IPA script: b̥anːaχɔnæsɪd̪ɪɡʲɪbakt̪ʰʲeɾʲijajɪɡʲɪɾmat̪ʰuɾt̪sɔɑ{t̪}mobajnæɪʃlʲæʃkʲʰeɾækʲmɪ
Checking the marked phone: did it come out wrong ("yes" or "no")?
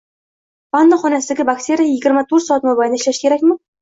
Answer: no